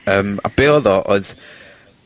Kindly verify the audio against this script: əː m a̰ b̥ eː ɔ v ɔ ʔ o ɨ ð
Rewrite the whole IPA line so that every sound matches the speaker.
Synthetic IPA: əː m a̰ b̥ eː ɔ ð ɔ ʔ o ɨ ð

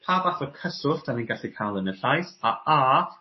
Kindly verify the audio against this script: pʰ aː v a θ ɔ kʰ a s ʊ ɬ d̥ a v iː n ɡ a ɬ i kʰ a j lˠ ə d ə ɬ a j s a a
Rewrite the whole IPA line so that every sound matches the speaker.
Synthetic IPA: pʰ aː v a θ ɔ kʰ ə s ʊ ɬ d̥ a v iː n ɡ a ɬ i kʰ a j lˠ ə n ə ɬ a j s a a

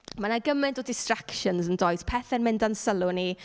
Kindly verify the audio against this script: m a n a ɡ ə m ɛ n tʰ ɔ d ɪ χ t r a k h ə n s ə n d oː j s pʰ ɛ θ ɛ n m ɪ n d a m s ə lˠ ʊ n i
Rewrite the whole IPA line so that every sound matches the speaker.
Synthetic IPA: m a n a ɡ ə m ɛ n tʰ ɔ d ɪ s t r a k ʃ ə n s ə n d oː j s pʰ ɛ θ ɛ n m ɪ n d a n s ə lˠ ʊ n i

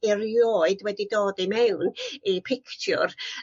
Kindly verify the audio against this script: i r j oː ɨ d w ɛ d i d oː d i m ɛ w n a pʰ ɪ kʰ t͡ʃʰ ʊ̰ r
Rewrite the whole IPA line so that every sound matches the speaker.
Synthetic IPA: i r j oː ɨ d w ɛ d i d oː d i m ɛ w n i pʰ ɪ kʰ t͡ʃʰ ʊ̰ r

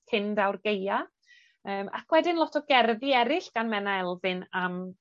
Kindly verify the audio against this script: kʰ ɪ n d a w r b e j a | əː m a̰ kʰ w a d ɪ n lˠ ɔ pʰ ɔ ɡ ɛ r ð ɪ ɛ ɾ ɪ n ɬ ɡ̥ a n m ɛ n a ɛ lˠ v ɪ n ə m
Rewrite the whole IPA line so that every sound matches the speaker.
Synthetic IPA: kʰ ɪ n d a w r ɡ e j a | əː m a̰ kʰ w ɛ d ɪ n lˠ ɔ tʰ ɔ ɡ ɛ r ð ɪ ɛ ɾ ɪ ɬ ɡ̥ a n m ɛ n a ɛ lˠ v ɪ n a m

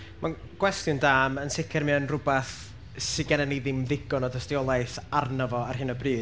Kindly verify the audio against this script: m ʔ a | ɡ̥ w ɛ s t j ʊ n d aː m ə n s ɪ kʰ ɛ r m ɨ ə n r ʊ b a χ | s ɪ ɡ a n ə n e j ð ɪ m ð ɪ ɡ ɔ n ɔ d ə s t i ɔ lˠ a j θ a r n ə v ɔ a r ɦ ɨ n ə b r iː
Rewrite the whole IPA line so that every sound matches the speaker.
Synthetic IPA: m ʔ a | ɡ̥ w ɛ s t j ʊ n d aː m ə n s ɪ kʰ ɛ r m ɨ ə n r ʊ b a θ | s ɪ ɡ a n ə n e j ð ɪ m ð ɪ ɡ ɔ n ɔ d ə s t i ɔ lˠ a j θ a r n ə v ɔ a r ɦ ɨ n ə b r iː

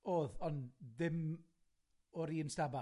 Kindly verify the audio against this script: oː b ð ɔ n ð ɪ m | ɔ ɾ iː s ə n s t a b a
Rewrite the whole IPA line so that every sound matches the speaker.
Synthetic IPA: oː ð ɔ n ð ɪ m | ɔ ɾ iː ə n s t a b a

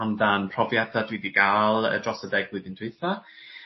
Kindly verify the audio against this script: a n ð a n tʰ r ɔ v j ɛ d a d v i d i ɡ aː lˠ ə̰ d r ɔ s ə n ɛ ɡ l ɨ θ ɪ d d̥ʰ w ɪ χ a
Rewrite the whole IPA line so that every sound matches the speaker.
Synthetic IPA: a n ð a n pʰ r ɔ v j ɛ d a d w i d i ɡ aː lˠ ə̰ d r ɔ s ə d ɛ ɡ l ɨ ð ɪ n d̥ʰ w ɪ θ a

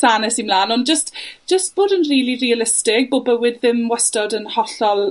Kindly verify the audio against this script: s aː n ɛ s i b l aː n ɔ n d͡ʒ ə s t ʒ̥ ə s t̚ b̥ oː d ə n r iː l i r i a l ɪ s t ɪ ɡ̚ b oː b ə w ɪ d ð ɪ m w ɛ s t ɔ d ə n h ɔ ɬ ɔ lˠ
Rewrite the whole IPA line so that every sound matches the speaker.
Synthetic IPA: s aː n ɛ s i m l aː n ɔ n d͡ʒ ə s t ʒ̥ ə s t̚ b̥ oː d ə n r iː l i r i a l ɪ s t ɪ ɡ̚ b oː b ə w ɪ d ð ɪ m w ɛ s t ɔ d ə n h ɔ ɬ ɔ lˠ

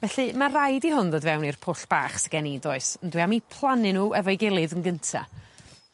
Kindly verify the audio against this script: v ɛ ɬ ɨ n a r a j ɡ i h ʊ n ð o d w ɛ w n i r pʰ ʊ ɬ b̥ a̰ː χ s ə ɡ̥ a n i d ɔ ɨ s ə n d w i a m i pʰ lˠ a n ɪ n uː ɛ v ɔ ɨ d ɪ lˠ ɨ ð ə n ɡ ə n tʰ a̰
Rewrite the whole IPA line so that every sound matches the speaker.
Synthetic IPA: v ɛ ɬ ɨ m a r a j d i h ʊ n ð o d v ɛ w n i r pʰ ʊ ɬ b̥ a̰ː χ s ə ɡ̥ ɛ n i d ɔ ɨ s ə n d w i a m i pʰ lˠ a n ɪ n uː ɛ v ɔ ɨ ɡ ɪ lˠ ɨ ð ə n ɡ ə n tʰ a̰

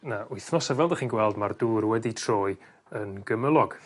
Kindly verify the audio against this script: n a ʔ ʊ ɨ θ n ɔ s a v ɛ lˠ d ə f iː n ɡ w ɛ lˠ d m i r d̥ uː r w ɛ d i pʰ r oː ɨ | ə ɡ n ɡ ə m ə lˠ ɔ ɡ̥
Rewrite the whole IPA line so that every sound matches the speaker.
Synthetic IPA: n a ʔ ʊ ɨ θ n ɔ s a v ɛ lˠ d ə χ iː n ɡ w ɛ lˠ d m a r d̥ uː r w ɛ d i tʰ r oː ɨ | ə n ɡ ə m ə lˠ ɔ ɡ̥

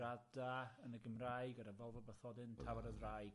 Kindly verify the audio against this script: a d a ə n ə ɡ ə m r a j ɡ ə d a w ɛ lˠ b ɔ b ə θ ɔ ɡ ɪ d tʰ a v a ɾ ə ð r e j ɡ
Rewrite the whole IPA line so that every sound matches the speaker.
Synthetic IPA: a d a ə n ə ɡ ə m r a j ɡ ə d a v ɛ lˠ v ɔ b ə θ ɔ d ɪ n tʰ a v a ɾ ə ð r a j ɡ

